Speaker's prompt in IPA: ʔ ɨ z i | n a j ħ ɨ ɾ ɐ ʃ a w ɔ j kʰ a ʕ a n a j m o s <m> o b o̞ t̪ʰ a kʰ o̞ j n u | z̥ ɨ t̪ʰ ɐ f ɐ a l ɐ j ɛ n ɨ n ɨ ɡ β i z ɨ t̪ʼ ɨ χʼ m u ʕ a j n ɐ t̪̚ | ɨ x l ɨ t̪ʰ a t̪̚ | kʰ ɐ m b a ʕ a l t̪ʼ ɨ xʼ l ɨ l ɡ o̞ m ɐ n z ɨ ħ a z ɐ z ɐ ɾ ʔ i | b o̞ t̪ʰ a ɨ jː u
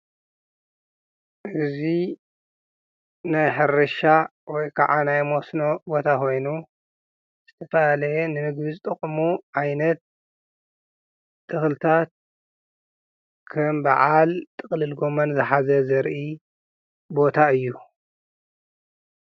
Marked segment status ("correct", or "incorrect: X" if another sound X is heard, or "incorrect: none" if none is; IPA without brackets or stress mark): incorrect: n